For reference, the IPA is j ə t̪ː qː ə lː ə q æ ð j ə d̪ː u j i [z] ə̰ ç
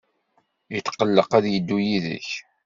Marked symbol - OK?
no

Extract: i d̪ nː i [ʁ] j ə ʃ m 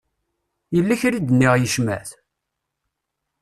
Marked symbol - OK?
yes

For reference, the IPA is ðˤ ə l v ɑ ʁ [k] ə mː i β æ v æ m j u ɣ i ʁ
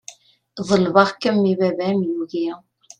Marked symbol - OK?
yes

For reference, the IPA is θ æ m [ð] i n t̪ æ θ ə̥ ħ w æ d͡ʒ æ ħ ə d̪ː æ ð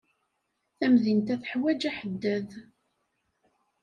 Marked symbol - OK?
yes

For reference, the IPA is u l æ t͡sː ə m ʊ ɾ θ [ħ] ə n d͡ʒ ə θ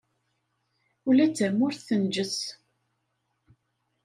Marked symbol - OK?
no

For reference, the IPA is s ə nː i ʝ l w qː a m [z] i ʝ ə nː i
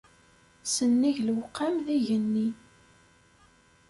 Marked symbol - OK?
no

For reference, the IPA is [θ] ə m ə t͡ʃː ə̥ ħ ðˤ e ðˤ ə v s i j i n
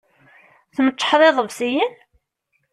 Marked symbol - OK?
yes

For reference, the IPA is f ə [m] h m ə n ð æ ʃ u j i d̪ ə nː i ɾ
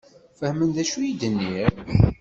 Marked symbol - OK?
no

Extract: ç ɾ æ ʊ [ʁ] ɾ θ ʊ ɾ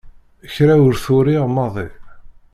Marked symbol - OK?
no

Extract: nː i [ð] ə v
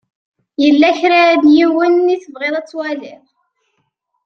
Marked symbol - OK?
no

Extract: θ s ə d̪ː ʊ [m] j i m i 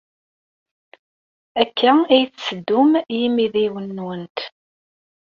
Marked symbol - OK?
yes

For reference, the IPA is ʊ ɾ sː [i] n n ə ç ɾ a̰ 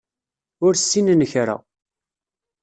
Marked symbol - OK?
yes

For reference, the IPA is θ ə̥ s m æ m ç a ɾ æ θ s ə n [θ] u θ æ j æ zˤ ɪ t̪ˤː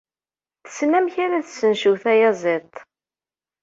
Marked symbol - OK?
no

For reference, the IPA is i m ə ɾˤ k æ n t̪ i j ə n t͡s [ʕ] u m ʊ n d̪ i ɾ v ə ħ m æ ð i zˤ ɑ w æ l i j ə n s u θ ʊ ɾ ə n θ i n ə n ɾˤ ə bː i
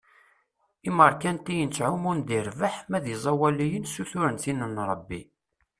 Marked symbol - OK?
yes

